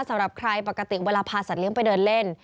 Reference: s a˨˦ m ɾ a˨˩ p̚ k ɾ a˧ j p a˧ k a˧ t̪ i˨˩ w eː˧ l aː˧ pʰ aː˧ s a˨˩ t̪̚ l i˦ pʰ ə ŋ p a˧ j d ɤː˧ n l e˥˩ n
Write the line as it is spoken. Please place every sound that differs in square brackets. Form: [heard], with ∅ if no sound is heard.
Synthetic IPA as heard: s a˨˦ m ɾ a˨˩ p̚ [kʰ] ɾ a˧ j p [a˨˩] k a˧ t̪ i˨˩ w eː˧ l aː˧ pʰ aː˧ s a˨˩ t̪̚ l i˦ [∅] ə ŋ p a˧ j d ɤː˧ n l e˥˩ n